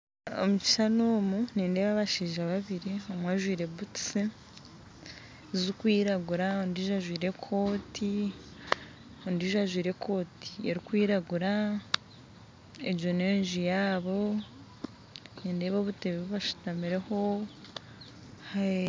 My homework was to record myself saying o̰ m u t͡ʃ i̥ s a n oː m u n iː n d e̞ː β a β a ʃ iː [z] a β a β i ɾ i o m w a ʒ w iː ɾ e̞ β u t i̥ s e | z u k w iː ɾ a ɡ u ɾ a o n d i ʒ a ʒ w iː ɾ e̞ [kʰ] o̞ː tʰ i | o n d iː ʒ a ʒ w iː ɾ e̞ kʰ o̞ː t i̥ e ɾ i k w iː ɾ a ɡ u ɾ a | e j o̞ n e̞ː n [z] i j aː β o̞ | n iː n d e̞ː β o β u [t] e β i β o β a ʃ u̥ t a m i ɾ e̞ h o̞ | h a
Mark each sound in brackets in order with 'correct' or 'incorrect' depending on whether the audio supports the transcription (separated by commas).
incorrect, correct, incorrect, correct